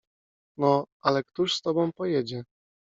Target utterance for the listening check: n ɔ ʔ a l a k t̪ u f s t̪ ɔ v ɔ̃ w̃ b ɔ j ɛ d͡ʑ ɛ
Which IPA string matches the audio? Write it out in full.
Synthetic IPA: n ɔ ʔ a l ɛ k t̪ u ʂ s t̪ ɔ b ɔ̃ w̃ p ɔ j ɛ d͡ʑ ɛ